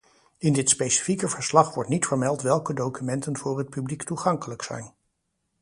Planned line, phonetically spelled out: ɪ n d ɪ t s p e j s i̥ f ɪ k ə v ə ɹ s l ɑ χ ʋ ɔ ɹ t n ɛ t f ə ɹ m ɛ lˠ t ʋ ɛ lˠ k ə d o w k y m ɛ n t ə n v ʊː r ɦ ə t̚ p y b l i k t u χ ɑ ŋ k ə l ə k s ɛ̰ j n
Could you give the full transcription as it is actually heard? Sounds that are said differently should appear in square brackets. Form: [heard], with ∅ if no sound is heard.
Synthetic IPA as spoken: ɪ n d ɪ t s p e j s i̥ f [i] k ə v ə ɹ s l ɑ χ ʋ ɔ ɹ t n [i] t f ə ɹ m ɛ lˠ t ʋ ɛ lˠ k ə d o w k y m ɛ n t ə n v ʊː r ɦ ə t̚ p y b l i k t u χ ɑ ŋ k ə l ə k s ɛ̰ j n